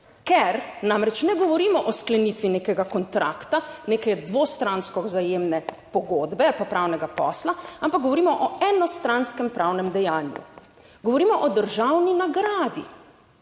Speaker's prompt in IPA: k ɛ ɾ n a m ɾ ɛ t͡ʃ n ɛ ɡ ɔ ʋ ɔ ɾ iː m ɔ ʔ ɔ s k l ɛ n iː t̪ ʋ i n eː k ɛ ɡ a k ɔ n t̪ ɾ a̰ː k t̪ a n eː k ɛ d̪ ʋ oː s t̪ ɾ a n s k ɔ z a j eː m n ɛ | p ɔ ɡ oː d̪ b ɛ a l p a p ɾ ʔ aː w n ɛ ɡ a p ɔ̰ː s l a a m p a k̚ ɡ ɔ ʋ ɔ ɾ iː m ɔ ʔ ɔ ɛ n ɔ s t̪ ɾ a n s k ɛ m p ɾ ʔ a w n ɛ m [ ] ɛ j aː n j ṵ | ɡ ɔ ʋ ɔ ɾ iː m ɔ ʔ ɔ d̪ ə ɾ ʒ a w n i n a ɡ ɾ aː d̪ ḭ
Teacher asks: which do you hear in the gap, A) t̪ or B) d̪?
B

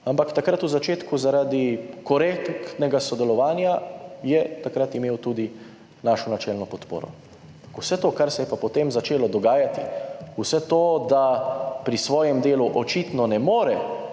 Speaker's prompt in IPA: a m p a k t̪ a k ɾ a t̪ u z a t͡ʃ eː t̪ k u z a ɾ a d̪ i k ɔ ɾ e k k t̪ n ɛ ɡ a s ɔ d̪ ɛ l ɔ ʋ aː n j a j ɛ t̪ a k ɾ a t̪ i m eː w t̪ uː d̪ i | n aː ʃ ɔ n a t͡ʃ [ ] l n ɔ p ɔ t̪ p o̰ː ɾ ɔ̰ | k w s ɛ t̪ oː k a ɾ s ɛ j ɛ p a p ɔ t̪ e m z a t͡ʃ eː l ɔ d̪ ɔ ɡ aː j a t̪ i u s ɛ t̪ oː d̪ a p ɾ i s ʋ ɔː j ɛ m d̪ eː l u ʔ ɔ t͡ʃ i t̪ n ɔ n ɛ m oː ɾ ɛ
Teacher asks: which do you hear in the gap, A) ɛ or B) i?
A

